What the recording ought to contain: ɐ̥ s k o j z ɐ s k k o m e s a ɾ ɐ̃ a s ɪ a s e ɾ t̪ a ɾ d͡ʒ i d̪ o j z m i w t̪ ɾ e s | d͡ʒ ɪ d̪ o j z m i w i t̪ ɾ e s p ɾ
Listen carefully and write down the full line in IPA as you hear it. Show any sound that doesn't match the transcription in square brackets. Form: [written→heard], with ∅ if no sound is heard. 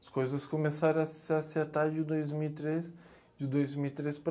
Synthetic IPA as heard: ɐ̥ s k o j z ɐ s k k o m e s a ɾ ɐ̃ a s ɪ a s e ɾ t̪ a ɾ d͡ʒ [i→ɪ] d̪ o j z m i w t̪ ɾ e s | d͡ʒ ɪ d̪ o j z m i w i t̪ ɾ e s p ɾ